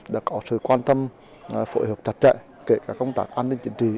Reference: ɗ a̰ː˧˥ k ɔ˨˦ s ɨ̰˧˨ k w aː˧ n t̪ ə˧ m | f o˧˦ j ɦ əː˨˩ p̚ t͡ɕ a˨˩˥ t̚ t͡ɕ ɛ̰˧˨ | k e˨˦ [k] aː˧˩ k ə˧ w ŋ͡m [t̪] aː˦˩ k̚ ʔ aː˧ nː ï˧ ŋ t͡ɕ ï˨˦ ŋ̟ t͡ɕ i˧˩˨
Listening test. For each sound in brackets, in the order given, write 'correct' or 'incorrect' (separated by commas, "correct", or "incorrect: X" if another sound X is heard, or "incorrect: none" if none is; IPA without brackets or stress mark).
correct, correct